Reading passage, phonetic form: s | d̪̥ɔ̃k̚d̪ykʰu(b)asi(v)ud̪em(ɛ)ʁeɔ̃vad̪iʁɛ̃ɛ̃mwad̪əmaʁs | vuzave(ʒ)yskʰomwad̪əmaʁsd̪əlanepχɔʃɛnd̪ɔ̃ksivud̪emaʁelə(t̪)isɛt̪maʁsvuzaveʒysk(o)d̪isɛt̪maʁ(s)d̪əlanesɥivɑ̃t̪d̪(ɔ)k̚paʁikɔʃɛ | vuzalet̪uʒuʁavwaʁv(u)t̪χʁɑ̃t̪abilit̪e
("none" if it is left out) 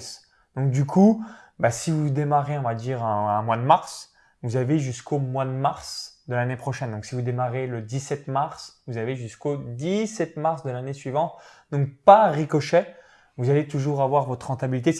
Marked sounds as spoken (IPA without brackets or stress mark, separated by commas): b, v, a, ʒ, d̪, o, s, ɔ̃, ɔ